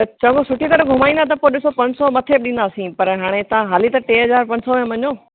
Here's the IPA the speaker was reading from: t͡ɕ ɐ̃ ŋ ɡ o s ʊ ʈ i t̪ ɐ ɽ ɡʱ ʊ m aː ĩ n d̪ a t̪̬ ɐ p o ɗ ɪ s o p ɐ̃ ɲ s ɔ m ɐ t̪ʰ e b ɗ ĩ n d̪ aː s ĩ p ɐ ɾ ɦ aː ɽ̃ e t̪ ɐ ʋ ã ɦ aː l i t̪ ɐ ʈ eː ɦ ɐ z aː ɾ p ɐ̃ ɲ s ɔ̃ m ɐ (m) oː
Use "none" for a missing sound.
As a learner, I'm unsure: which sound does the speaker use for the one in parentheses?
ɲ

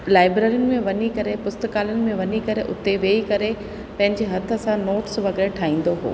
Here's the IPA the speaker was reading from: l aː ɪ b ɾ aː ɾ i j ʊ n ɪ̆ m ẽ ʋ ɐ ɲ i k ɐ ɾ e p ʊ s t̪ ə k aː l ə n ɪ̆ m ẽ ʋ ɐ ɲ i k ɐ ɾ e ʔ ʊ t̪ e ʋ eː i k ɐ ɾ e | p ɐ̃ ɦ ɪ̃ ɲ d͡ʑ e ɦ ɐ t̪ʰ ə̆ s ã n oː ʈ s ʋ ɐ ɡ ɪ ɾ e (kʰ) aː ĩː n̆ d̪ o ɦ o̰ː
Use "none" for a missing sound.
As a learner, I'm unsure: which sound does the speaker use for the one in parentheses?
ʈʰ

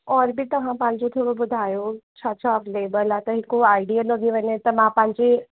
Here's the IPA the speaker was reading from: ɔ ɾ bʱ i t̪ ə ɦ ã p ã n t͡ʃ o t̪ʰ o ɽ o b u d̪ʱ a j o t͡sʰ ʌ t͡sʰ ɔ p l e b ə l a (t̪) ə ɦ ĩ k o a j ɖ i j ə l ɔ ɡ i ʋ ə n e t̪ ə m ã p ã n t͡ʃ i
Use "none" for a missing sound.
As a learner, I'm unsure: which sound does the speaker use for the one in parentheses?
t̪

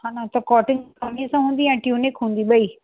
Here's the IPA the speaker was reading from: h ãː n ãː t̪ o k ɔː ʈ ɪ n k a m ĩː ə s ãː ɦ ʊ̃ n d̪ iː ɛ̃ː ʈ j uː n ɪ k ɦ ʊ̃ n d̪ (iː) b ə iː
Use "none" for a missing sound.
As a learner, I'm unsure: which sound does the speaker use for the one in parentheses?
iː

